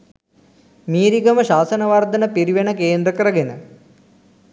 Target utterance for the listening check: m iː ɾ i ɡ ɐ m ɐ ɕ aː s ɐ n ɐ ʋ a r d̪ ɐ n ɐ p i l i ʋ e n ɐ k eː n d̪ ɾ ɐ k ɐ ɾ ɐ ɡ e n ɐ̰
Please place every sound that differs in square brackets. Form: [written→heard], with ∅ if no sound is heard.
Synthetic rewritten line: m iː ɾ i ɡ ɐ m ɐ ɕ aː s ɐ n ɐ ʋ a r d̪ ɐ n ɐ p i [l→ɾ] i ʋ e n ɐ k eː n d̪ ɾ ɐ k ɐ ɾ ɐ ɡ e n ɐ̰

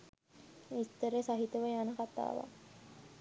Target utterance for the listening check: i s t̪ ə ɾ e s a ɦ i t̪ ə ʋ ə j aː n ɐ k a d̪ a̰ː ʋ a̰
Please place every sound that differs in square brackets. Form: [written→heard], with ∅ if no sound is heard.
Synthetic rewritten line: i s t̪ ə ɾ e s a ɦ i t̪ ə ʋ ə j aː n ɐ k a [d̪→t̪] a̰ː ʋ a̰

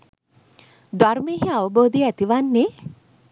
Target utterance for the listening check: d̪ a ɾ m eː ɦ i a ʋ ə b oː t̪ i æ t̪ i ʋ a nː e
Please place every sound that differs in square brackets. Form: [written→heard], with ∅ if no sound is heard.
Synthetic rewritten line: d̪ a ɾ m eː ɦ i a ʋ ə b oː [t̪→d̪] i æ t̪ i ʋ a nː e

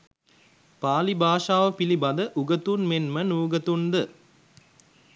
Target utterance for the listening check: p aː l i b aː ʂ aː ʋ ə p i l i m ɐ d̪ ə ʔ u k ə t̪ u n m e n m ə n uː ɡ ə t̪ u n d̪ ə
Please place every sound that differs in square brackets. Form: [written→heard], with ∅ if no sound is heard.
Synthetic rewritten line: p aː l i b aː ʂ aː ʋ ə p i l i [m→b] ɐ d̪ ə ʔ u [k→ɡ] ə t̪ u n m e n m ə n uː ɡ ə t̪ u n d̪ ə

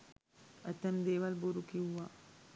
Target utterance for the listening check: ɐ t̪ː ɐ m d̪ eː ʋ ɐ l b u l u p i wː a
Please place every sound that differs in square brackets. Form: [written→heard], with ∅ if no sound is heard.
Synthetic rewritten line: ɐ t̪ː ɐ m d̪ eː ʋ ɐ l b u [l→ɾ] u [p→k] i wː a

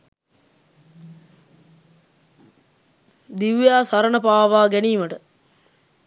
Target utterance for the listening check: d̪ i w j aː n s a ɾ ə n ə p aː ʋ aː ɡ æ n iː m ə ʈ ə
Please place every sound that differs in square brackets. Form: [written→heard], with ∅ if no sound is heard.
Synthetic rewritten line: d̪ i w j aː [n→∅] s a ɾ ə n ə p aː ʋ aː ɡ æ n iː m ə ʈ ə

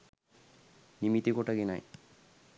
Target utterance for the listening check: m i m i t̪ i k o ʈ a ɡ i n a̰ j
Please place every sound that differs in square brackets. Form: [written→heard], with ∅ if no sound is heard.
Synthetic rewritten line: [m→n] i m i t̪ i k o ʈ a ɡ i n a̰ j

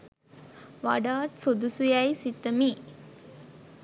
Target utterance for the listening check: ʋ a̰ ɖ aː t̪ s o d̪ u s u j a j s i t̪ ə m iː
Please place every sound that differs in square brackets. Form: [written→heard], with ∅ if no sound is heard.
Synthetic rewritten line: ʋ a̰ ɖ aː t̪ s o d̪ u s u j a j s i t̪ ə m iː

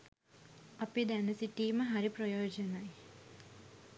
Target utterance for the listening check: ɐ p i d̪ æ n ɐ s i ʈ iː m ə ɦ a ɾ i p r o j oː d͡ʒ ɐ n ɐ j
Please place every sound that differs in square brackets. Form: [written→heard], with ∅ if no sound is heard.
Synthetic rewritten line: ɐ p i d̪ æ n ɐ s i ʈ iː m ə ɦ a ɾ i p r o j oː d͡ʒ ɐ n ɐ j

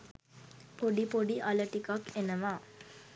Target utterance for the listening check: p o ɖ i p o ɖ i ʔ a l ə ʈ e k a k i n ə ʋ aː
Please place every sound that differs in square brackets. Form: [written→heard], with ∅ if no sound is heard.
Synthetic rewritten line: p o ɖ i p o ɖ i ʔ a l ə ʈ [e→i] k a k [i→e] n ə ʋ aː

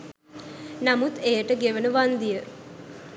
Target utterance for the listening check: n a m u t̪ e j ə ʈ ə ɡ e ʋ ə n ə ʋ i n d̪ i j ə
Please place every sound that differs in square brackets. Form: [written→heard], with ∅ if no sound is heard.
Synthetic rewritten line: n a m u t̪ e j ə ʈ ə ɡ e ʋ ə n ə ʋ [i→a] n d̪ i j ə

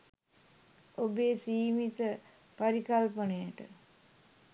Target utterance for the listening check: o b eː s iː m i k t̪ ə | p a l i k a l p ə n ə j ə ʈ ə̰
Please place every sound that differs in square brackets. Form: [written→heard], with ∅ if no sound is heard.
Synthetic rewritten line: o b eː s iː m i [k→∅] t̪ ə | p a [l→ɾ] i k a l p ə n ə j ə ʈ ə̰

